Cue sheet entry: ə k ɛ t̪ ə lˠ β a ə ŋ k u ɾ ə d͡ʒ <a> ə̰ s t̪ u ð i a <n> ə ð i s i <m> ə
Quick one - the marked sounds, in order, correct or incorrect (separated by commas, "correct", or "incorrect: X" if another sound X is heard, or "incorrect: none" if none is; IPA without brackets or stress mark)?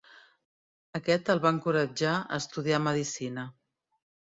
correct, incorrect: m, incorrect: n